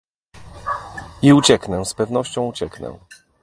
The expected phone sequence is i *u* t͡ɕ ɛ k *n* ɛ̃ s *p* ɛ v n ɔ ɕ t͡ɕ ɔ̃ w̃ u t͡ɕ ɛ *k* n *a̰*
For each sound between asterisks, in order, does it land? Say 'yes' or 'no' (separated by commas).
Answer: yes, yes, yes, yes, no